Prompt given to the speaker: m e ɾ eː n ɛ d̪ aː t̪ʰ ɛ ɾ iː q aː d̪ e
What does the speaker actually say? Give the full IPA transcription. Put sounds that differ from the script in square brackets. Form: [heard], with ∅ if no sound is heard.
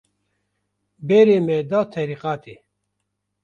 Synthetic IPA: [b] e ɾ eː [m] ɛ d̪ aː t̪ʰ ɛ ɾ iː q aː [t̪] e